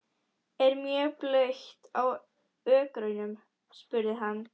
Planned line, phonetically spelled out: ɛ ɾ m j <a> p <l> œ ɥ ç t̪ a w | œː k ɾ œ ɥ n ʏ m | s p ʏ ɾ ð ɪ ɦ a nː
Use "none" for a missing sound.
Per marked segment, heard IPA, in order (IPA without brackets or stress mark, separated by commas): ɛ, l